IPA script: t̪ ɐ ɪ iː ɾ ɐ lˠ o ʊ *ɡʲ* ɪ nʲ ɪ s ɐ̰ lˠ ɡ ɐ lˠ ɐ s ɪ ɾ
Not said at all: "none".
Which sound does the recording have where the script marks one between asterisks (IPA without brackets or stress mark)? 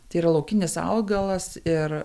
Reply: kʲ